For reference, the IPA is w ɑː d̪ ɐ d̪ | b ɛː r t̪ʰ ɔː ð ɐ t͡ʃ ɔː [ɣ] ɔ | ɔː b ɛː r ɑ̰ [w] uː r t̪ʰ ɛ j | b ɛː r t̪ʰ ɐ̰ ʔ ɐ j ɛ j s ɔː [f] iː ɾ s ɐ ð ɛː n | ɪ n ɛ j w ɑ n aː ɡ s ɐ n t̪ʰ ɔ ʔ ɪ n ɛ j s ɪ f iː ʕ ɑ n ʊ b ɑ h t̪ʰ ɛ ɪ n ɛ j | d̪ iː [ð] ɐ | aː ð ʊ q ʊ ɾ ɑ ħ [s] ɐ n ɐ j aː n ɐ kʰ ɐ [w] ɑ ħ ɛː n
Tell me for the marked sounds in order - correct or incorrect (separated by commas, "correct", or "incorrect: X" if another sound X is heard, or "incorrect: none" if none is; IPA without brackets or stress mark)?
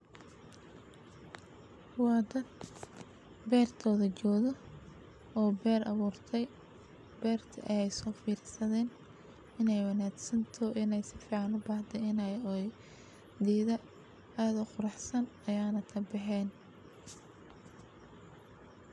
incorrect: ð, incorrect: β, correct, correct, correct, incorrect: b